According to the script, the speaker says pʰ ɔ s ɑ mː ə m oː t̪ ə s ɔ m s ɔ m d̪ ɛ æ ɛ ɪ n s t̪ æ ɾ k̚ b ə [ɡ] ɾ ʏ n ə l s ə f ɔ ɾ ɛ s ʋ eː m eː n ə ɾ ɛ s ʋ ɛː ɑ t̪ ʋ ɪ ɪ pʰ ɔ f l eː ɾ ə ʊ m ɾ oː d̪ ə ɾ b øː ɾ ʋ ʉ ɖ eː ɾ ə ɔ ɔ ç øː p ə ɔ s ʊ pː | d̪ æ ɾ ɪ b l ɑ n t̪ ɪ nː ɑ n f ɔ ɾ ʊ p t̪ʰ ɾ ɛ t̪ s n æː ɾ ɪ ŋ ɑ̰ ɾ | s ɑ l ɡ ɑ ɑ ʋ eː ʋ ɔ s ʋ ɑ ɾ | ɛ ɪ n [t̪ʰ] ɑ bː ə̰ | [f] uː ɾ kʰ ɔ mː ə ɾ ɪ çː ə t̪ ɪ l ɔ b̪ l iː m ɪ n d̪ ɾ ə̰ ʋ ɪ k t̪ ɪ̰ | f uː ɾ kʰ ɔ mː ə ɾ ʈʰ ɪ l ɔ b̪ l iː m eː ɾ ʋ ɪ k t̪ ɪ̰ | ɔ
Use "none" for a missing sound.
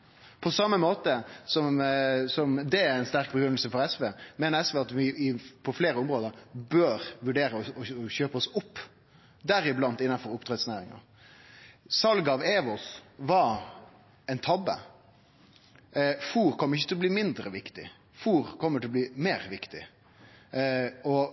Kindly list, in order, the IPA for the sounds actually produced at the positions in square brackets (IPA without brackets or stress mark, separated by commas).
ɡ, t̪ʰ, f